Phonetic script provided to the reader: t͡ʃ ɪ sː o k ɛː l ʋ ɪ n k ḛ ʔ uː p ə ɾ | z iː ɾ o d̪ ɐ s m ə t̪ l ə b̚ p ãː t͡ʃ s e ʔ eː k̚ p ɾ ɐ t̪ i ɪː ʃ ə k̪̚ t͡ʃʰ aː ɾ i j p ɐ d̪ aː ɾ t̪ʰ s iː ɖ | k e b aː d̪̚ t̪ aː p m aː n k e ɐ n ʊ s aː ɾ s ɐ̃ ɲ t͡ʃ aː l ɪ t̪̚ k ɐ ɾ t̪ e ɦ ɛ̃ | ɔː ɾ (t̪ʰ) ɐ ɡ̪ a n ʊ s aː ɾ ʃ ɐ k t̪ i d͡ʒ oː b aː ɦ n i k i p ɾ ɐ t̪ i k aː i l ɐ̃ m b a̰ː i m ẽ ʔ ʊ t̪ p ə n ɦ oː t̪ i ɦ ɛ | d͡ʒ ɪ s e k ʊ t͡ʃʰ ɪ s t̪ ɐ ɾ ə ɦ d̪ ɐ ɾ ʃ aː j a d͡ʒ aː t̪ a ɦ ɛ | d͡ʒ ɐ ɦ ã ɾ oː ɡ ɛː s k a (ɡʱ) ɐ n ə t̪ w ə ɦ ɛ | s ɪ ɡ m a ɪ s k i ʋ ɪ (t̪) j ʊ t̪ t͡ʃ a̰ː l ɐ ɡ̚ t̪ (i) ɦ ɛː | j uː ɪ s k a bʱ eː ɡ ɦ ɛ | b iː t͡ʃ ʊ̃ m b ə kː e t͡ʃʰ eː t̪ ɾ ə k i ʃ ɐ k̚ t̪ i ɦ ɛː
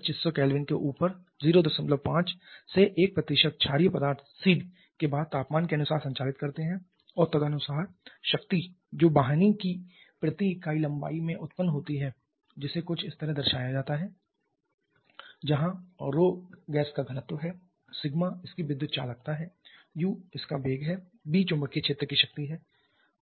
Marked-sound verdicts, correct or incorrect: incorrect: t̪, correct, incorrect: d̪, incorrect: a

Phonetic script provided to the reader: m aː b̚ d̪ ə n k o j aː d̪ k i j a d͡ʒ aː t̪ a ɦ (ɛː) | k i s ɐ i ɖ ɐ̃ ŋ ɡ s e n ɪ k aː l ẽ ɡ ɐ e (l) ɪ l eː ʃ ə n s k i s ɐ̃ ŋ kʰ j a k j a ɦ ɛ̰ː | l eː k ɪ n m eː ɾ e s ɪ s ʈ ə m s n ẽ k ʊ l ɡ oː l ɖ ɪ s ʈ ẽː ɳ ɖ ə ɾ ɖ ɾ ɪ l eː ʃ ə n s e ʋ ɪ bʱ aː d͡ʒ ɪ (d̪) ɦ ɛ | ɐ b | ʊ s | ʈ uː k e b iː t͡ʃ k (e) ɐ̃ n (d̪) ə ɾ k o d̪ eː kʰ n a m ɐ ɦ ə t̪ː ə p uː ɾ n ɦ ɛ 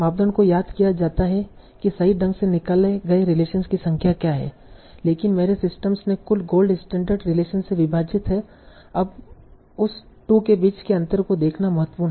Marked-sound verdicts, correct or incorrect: incorrect: ɛ, incorrect: ɾ, incorrect: t̪, correct, incorrect: t̪

